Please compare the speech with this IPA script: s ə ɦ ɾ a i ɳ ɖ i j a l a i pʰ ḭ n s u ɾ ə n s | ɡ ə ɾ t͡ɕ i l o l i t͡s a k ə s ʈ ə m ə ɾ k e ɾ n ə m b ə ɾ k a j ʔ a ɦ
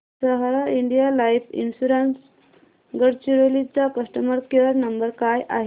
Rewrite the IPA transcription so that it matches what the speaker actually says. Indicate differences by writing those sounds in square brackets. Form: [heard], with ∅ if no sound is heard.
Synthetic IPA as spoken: s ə ɦ ɾ a i ɳ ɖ i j a l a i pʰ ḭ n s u ɾ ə n s | ɡ ə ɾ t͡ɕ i [ɾ] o l i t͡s a k ə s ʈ ə m ə ɾ k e ɾ n ə m b ə ɾ k a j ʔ a ɦ